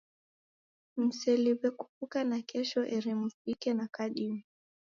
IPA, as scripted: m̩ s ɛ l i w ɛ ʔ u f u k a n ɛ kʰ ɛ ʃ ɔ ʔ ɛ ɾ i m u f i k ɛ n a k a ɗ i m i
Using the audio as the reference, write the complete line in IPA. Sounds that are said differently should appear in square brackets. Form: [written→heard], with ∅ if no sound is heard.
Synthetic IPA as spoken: m̩ s ɛ l i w ɛ [ʔ→k] u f u k a n [ɛ→a] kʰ ɛ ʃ ɔ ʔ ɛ ɾ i m u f i k ɛ n a k a ɗ i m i